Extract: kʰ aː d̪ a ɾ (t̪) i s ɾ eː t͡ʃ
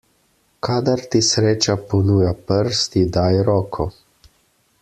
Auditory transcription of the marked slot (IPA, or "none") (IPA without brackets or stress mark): t̪